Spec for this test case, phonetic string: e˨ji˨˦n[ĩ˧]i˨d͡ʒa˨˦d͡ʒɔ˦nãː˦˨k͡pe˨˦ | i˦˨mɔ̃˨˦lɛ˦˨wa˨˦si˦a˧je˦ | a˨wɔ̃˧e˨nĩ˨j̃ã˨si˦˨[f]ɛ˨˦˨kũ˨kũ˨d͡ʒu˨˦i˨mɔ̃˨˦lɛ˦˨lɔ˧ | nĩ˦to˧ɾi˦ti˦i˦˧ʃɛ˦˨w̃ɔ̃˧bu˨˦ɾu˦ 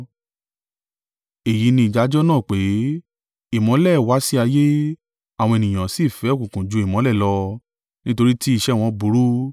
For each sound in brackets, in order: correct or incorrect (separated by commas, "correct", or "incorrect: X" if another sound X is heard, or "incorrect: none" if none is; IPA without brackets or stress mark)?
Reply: correct, correct